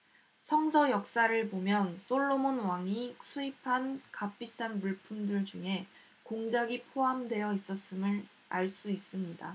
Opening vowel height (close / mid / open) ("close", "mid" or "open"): mid